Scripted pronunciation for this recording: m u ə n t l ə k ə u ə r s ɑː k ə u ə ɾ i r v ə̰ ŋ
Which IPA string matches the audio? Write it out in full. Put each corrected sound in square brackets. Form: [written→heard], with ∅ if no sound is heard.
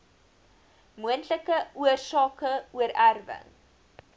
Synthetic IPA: m u ə n t l ə k ə u ə r s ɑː k ə u ə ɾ [i→æ] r v ə̰ ŋ

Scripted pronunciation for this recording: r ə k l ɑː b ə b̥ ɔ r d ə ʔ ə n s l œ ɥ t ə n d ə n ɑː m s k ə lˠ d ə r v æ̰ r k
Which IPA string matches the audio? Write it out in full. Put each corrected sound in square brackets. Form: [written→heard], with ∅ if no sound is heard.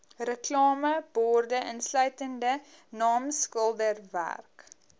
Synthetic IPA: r ə k l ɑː [b→m] ə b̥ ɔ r d ə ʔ ə n s l œ ɥ t ə n d ə n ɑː m s k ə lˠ d ə r v æ̰ r k

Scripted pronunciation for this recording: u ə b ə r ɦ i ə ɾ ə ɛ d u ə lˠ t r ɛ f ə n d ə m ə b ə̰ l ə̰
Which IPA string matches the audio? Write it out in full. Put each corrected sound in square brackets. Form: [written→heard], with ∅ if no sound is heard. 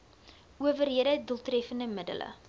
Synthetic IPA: u ə [b→v] ə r ɦ i ə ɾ ə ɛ d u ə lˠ t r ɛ f ə n d ə m ə [b→d] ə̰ l ə̰

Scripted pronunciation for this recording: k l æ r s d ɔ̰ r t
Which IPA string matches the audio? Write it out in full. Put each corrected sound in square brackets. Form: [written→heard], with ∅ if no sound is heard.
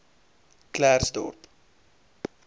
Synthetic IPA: k l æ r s d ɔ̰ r [t→p]

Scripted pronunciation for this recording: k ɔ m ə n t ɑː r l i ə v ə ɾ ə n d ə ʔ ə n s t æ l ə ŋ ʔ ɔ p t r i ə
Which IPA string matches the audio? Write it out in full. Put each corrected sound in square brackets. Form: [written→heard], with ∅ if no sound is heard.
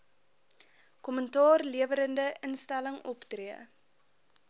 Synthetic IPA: k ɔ m ə n t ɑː r l i ə v ə ɾ ə n d ə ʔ ə n s t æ l ə ŋ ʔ ɔ p t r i ə

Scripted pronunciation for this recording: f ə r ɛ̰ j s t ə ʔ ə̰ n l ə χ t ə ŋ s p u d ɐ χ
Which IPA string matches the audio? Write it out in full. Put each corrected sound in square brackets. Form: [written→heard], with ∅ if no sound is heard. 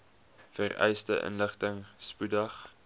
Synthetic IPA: f ə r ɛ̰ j s t ə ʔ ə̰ n l ə χ t ə ŋ s p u d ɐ χ

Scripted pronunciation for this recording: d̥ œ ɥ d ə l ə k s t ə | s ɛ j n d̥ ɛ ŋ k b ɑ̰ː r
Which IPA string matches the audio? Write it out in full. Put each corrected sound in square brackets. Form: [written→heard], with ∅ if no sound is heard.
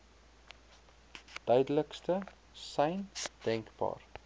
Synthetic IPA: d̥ œ ɥ d ə l ə k s t ə | s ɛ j n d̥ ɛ ŋ k b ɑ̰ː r

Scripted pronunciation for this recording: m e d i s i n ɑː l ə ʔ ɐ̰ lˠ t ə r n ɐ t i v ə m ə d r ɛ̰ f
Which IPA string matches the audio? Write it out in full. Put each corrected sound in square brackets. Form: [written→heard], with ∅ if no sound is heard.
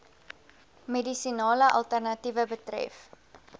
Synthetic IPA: m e d i s i n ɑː l ə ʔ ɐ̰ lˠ t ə r n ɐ t i v ə [m→b] ə [d→t] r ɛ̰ f

